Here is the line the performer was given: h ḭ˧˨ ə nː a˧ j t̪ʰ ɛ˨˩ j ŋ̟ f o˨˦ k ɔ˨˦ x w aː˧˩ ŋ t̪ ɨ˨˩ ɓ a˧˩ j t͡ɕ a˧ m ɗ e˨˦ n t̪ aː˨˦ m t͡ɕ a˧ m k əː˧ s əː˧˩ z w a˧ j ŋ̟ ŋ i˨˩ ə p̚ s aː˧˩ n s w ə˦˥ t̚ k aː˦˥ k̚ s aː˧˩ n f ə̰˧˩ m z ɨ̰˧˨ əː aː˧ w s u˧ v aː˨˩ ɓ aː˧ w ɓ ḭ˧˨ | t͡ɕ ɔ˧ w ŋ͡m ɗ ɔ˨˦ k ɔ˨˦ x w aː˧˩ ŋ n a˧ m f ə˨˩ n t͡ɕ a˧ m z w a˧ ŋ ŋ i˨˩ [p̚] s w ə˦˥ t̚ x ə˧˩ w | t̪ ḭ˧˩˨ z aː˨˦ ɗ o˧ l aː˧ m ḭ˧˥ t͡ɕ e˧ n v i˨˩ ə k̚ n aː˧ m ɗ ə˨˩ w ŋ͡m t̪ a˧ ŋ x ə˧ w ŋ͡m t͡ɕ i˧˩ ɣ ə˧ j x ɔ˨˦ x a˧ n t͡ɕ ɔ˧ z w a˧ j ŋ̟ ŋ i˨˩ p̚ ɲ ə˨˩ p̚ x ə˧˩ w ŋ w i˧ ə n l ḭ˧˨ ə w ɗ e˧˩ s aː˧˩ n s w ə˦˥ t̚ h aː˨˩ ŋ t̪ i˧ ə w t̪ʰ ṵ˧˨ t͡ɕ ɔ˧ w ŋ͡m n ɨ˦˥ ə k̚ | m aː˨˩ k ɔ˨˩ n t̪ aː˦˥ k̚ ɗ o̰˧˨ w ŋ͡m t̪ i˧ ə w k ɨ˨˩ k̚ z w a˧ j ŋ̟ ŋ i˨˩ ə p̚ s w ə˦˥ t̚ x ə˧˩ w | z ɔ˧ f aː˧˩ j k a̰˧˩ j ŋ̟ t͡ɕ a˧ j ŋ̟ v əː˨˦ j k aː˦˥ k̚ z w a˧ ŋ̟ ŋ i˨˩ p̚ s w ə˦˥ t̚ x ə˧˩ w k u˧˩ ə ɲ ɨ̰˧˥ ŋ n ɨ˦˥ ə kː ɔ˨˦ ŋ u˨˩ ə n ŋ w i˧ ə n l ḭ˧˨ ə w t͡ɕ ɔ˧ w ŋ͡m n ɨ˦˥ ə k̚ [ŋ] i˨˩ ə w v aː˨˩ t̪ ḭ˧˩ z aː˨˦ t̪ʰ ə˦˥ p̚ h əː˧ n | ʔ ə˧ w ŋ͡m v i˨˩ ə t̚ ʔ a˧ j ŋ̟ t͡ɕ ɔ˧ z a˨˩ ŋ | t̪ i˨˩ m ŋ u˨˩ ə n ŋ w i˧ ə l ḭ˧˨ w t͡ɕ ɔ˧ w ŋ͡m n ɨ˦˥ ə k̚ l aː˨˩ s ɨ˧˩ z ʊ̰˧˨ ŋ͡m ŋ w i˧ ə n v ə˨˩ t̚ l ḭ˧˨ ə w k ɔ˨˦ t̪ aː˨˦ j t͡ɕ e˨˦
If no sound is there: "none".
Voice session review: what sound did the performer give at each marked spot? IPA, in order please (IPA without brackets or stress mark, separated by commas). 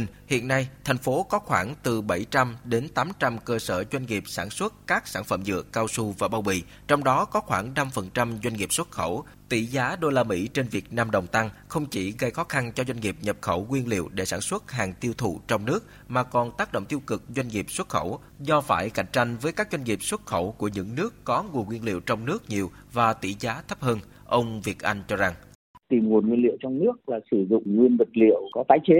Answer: p̚, ɲ